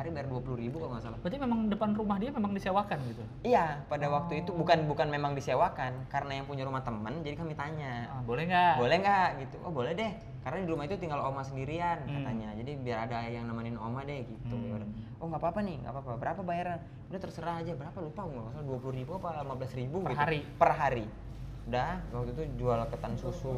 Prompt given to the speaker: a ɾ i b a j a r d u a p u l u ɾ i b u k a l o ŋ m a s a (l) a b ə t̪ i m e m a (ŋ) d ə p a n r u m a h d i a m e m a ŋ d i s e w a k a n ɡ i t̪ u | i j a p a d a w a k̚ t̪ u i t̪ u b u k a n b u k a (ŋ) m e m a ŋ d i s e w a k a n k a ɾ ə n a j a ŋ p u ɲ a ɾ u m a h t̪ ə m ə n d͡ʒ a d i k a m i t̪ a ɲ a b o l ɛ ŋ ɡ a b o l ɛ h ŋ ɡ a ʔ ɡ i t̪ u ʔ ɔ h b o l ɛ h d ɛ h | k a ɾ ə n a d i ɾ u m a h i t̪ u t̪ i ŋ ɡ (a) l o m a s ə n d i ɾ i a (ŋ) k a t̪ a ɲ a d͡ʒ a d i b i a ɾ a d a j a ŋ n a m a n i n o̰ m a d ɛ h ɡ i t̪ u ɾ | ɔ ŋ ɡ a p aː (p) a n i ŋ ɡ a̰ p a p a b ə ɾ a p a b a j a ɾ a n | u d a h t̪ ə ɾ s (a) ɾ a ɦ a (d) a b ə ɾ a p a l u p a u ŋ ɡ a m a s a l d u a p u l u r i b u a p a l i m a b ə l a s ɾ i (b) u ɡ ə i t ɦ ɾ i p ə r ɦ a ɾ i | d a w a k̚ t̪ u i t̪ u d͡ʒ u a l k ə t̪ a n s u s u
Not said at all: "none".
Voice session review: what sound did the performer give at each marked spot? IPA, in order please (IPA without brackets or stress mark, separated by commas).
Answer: l, ŋ, n, a, n, p, ə, d͡ʒ, b